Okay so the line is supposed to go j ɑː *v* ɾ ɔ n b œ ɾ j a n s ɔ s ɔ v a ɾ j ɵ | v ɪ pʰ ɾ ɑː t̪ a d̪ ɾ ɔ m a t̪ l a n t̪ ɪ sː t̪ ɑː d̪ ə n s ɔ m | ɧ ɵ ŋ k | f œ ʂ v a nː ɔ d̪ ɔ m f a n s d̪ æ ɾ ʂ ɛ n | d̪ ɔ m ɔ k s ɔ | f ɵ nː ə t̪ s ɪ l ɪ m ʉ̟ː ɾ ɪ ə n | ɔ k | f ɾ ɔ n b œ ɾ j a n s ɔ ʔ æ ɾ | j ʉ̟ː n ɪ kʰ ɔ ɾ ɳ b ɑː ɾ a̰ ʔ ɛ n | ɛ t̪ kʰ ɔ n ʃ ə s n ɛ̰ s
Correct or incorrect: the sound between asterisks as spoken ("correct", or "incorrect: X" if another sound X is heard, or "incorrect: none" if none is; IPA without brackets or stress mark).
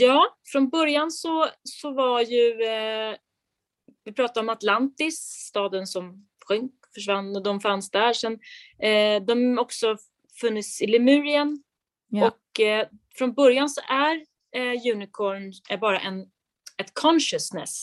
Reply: incorrect: f